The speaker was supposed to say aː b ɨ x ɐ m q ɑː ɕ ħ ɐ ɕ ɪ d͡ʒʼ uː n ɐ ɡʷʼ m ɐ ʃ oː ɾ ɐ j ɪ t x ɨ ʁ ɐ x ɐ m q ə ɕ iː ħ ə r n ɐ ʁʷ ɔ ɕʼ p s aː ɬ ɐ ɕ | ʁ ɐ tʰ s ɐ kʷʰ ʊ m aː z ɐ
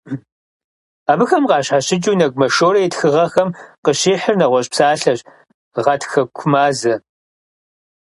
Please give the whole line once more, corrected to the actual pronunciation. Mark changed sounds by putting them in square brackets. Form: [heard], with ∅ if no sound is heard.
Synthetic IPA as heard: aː b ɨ x ɐ m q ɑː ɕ ħ [a] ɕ ɪ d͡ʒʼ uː n ɐ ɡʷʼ m ɐ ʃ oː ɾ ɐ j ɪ t x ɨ ʁ ɐ x ɐ m q ə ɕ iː ħ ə r n ɐ ʁʷ ɔ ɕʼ p s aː ɬ ɐ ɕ | ʁ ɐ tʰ [x] ɐ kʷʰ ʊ m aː z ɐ